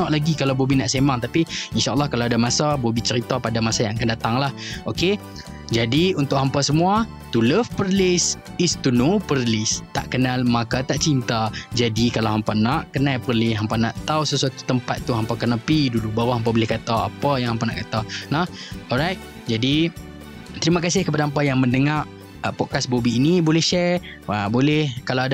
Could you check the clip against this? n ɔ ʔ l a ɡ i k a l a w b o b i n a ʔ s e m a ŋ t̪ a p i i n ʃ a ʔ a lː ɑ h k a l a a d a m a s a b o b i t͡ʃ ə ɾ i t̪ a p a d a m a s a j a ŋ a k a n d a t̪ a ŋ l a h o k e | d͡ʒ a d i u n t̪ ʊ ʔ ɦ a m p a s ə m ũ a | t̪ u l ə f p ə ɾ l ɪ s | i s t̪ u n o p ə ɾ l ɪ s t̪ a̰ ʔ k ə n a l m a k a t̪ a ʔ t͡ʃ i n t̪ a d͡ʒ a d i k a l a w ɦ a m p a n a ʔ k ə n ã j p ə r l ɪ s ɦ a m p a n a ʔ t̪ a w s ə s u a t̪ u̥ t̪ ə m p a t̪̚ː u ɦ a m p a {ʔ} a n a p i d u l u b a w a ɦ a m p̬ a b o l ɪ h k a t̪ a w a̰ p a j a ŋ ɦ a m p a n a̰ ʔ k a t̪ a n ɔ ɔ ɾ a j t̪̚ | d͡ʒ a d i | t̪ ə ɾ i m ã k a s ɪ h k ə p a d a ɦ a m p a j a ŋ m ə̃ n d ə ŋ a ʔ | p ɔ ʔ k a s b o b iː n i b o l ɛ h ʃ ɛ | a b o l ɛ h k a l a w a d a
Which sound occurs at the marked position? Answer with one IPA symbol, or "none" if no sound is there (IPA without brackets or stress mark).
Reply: k